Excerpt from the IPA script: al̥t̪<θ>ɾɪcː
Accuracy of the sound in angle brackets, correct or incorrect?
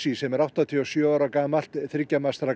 correct